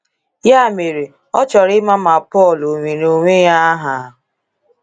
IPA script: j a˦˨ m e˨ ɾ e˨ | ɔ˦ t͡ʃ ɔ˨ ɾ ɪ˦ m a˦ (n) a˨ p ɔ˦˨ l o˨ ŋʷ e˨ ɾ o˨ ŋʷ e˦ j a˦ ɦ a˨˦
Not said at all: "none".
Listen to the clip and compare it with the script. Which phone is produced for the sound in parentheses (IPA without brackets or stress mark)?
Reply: m